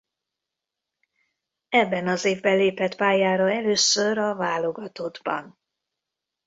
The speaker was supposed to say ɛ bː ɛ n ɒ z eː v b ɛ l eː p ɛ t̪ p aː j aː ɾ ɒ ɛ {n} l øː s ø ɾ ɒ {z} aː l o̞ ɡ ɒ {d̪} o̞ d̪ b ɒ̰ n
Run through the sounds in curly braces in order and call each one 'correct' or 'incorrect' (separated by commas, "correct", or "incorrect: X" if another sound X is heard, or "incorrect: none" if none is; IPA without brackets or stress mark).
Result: incorrect: none, incorrect: v, incorrect: t̪